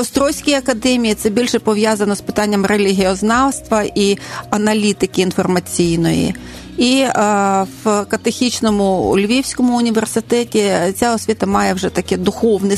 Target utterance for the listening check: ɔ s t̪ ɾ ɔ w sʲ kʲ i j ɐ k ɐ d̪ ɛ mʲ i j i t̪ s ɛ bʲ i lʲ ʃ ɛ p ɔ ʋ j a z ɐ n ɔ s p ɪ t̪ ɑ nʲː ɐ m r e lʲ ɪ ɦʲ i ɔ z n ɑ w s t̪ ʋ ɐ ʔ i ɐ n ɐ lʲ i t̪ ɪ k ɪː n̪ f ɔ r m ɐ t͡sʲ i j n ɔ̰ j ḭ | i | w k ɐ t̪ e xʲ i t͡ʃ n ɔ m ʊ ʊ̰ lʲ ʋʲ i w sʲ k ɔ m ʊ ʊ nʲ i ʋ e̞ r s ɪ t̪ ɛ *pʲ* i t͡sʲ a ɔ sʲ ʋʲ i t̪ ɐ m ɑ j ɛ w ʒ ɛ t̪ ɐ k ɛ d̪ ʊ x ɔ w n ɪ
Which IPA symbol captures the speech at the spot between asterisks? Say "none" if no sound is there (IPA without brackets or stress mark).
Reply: tʲ